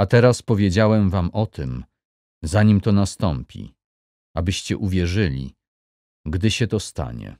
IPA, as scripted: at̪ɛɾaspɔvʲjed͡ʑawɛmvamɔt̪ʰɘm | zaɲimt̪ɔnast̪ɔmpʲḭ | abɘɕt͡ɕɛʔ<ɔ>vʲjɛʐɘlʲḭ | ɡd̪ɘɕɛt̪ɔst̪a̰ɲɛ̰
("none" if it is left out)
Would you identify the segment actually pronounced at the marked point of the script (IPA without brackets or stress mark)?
u